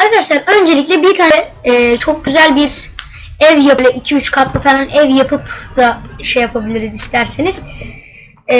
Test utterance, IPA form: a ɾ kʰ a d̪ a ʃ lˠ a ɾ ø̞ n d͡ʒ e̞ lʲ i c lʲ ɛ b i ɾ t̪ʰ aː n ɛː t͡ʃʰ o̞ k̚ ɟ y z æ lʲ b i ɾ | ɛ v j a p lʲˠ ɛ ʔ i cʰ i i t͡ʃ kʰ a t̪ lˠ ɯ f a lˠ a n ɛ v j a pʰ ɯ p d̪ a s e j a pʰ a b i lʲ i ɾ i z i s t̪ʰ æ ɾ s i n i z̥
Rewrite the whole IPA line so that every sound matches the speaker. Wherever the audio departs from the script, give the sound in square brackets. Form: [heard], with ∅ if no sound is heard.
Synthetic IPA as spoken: a ɾ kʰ a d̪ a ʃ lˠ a ɾ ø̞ n d͡ʒ e̞ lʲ i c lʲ ɛ b i ɾ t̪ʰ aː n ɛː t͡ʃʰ o̞ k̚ ɟ y z æ lʲ b i ɾ | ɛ v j a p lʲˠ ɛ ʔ i cʰ i [y] t͡ʃ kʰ a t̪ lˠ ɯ f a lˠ a n ɛ v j a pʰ ɯ p d̪ a [ʃ] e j a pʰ a b i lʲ i ɾ i z i s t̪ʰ æ ɾ s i n i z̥

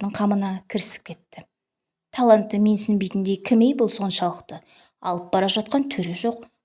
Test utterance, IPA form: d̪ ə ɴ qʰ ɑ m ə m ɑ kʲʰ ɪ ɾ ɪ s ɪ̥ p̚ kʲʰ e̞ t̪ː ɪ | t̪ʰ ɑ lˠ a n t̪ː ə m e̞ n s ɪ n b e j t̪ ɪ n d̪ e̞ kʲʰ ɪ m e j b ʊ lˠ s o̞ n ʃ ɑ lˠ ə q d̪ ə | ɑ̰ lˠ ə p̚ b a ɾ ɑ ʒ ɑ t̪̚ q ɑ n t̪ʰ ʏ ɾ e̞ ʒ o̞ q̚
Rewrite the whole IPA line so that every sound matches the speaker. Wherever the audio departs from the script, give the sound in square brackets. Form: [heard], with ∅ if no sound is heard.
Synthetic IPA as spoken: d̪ ə ɴ qʰ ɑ m ə [n] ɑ kʲʰ ɪ ɾ ɪ s ɪ̥ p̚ kʲʰ e̞ t̪ː ɪ | t̪ʰ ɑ lˠ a n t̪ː ə m e̞ n s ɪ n b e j t̪ ɪ n d̪ e̞ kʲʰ ɪ m e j b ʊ lˠ s o̞ n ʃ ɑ lˠ ə q [t̪] ə | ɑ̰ lˠ ə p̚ b [ɑ] ɾ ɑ ʒ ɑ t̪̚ q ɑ n t̪ʰ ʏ ɾ e̞ ʒ o̞ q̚

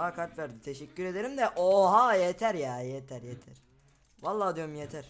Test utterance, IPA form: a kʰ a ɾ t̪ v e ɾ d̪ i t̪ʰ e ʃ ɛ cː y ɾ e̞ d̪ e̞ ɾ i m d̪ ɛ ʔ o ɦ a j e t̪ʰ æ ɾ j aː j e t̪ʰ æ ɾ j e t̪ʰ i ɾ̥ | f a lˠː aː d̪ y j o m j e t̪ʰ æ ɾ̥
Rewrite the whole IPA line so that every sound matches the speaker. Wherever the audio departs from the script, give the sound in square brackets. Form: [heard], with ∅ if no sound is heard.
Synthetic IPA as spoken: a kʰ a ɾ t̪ v [æ] ɾ d̪ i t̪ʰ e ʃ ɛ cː y ɾ e̞ d̪ e̞ ɾ i m d̪ ɛ ʔ o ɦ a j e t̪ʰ æ ɾ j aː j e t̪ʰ æ ɾ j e t̪ʰ [æ] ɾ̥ | [v] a lˠː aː d̪ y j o m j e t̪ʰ æ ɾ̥

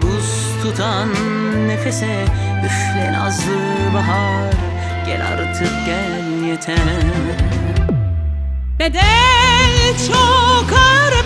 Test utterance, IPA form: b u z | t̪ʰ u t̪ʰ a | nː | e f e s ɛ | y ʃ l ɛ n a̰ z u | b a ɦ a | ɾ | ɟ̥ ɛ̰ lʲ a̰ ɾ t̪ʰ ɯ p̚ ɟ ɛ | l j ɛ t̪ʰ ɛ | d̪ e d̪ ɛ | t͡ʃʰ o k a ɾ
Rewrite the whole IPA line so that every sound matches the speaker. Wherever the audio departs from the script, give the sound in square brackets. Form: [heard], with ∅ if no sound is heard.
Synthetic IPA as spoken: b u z | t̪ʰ u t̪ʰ a | nː | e f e s ɛ | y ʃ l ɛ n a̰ z [ɯ] | b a ɦ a | ɾ | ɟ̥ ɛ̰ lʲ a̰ ɾ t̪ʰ ɯ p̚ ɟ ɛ | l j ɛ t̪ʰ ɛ | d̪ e d̪ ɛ | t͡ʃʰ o k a ɾ

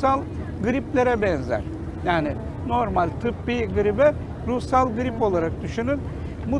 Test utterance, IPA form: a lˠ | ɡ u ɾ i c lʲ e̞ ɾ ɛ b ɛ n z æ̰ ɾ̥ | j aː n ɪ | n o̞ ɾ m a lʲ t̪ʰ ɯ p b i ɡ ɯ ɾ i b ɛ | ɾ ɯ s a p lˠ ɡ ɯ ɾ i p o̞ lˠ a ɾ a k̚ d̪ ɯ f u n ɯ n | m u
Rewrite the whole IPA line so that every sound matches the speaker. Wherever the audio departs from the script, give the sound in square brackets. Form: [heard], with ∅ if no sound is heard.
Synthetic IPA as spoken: a lˠ | ɡ [ɯ] ɾ i [p] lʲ e̞ ɾ ɛ b ɛ n z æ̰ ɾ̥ | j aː n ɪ | n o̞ ɾ m a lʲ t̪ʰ ɯ p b i ɡ ɯ ɾ i b ɛ | ɾ [u] s a [∅] lˠ ɡ ɯ ɾ i p o̞ lˠ a ɾ a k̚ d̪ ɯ [ʃ] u n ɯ n | m u

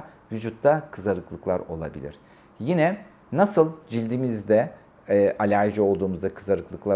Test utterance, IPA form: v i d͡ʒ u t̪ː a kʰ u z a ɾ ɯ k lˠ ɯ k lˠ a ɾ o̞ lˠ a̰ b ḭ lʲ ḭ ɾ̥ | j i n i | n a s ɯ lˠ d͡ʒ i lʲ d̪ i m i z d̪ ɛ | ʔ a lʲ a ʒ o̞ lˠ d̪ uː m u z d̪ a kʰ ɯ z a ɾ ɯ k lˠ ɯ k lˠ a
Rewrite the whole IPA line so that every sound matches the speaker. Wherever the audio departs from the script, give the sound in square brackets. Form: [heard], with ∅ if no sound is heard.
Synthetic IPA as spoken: v [y] d͡ʒ u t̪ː a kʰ [ɯ] z a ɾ ɯ k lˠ ɯ k lˠ a ɾ o̞ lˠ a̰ b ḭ lʲ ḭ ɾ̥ | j i n [ɛ] | n a s ɯ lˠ d͡ʒ i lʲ d̪ i m i z d̪ ɛ | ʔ a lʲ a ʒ o̞ lˠ d̪ uː m u z d̪ a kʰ ɯ z a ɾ ɯ k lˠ ɯ k lˠ a

